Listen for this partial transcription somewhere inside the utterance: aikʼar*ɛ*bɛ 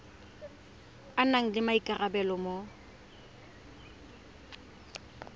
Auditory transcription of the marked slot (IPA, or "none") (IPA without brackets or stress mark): a